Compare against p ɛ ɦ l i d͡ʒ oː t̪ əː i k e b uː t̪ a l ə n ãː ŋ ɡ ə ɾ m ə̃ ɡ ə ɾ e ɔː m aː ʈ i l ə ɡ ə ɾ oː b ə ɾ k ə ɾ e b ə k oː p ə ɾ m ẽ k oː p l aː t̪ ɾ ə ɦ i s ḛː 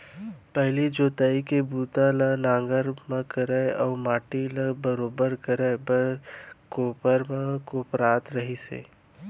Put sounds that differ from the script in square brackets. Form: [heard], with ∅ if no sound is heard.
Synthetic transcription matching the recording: p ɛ ɦ l i d͡ʒ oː t̪ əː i k e b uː t̪ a l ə n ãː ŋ ɡ ə ɾ m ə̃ [k] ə ɾ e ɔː m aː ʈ i l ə [b] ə ɾ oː b ə ɾ k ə ɾ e b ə k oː p ə ɾ m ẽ k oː p [ɾ] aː t̪ ɾ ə ɦ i s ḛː